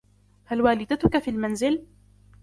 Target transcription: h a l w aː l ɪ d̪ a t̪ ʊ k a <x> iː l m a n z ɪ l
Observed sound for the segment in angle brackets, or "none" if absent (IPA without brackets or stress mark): f